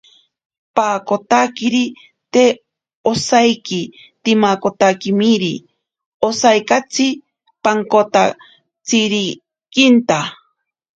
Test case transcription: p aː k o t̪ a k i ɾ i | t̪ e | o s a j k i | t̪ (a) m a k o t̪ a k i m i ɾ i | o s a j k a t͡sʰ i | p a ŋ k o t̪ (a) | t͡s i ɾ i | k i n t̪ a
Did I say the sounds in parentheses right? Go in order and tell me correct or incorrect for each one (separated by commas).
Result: incorrect, correct